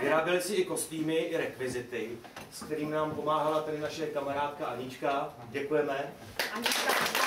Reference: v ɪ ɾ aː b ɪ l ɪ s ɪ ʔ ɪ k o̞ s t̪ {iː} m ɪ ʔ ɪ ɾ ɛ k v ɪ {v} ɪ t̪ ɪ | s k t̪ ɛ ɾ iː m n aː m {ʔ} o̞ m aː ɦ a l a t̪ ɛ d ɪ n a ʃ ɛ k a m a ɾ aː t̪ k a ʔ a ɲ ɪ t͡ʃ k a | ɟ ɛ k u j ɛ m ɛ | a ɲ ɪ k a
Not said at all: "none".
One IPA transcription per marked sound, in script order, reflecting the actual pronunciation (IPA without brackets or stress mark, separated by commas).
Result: iː, z, p